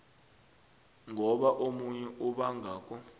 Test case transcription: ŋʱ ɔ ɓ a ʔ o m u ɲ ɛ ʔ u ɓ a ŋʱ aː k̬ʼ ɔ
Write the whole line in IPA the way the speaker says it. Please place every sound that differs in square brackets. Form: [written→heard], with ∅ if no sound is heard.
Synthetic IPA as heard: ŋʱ ɔ ɓ a ʔ o m u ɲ ɛ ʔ u ɓ a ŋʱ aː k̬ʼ ɔ